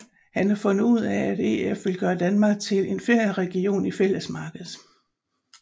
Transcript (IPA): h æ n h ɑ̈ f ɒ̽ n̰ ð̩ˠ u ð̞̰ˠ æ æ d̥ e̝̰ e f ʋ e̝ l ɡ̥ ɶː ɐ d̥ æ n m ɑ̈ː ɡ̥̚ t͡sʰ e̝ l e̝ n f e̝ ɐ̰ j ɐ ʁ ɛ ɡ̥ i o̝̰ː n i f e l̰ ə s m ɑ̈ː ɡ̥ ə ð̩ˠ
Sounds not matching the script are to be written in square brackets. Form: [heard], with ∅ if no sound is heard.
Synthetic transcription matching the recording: h æ n h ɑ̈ f [ɔ̽] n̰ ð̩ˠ u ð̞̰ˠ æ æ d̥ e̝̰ e f ʋ e̝ l ɡ̥ ɶː ɐ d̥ æ n m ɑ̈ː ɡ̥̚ t͡sʰ e̝ l e̝ n f e̝ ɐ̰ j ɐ ʁ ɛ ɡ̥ i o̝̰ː n i f e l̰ ə s m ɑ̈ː ɡ̥ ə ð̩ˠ